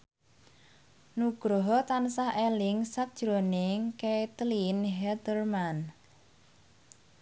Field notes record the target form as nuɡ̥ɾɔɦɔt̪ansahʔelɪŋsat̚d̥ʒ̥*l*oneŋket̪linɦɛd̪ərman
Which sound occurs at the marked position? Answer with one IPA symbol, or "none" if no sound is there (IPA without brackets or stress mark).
ɾ